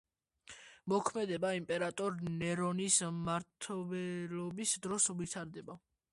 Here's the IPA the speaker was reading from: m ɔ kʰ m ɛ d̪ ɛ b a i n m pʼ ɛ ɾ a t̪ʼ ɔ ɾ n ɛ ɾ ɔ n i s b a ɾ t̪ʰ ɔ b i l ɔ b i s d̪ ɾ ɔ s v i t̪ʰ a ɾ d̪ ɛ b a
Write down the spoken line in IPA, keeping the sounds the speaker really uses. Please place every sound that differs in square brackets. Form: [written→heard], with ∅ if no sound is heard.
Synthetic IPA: m ɔ kʰ m ɛ d̪ ɛ b a i [n→∅] m pʼ ɛ ɾ a t̪ʼ ɔ ɾ n ɛ ɾ ɔ n i s [b→m] a ɾ t̪ʰ ɔ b [i→ɛ] l ɔ b i s d̪ ɾ ɔ s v i t̪ʰ a ɾ d̪ ɛ b a